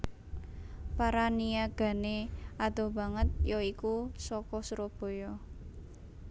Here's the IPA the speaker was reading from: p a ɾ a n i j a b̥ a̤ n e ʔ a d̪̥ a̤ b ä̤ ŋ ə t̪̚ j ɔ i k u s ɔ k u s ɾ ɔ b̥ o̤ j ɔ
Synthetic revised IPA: p a ɾ a n i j a ɡ̥ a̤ n e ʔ a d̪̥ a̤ b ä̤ ŋ ə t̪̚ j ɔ i k u s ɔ k ɔ s ɾ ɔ b̥ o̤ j ɔ